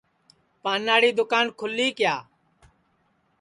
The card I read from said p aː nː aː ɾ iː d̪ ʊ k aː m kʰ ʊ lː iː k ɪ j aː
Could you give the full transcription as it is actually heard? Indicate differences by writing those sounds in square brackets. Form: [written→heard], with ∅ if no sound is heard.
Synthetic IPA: p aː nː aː [ɾ→ɽ] iː d̪ ʊ k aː [m→n] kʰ ʊ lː iː k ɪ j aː